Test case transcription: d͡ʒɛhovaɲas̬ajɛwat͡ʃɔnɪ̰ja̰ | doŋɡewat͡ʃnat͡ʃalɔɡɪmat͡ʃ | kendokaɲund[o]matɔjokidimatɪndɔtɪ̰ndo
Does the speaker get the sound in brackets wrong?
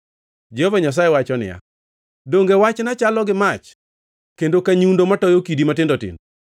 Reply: no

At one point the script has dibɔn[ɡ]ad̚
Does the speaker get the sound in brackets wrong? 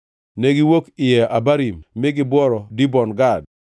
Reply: no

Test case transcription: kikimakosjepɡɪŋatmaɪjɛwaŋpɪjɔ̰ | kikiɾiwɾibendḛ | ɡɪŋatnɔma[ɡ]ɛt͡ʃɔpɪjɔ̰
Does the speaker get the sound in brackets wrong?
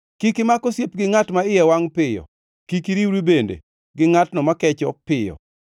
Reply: yes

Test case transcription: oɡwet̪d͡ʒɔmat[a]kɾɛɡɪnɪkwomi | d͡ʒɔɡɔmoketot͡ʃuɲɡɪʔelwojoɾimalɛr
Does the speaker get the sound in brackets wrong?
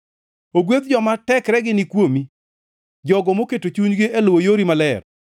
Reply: yes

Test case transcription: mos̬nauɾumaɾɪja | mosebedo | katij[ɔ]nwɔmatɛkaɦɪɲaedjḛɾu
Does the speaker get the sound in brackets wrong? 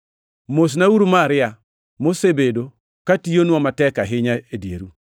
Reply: yes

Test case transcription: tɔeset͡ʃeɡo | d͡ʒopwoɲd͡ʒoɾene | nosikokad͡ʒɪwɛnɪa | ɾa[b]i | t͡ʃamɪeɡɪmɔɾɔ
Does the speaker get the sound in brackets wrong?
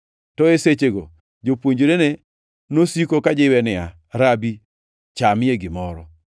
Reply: no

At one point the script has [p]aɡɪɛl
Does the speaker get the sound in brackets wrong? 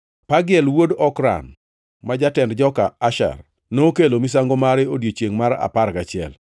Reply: no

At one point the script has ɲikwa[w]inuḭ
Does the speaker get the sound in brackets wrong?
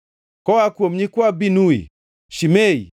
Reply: yes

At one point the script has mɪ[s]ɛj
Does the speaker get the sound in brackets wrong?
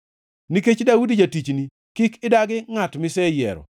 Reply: no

